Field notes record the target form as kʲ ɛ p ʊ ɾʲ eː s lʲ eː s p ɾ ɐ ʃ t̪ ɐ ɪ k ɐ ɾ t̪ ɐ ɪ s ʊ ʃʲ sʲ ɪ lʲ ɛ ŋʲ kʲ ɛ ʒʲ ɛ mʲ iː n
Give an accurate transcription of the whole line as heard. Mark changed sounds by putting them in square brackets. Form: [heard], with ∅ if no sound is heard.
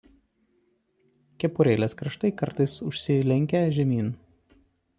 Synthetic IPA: kʲ ɛ p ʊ ɾʲ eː [∅] lʲ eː s [k] ɾ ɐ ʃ t̪ ɐ ɪ k ɐ ɾ t̪ ɐ ɪ s ʊ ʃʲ sʲ ɪ lʲ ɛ ŋʲ kʲ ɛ ʒʲ ɛ mʲ iː n